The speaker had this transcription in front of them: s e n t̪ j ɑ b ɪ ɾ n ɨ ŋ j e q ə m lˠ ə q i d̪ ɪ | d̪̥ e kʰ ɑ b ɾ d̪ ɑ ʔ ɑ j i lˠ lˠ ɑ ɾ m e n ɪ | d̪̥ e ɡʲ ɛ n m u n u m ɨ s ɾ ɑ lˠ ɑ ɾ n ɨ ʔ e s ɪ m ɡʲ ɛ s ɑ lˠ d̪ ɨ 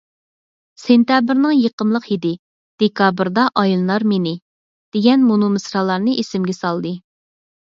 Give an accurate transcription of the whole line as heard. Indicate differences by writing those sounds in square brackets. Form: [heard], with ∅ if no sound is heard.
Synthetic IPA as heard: s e n t̪ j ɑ b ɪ ɾ n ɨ ŋ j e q ə m lˠ ə q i d̪ ɪ | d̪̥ e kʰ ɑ b ɾ d̪ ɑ ʔ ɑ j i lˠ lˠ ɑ ɾ m e n ɪ | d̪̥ e ɡʲ ɛ n m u n u m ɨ s ɾ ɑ lˠ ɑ ɾ n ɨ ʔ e s ɪ m ɡʲ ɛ s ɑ lˠ d̪ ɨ